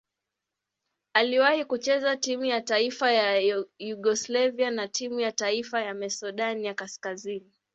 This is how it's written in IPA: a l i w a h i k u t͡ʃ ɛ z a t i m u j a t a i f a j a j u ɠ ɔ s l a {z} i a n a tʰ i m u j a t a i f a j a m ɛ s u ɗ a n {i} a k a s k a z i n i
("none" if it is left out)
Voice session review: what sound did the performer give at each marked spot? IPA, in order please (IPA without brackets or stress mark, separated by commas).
v, j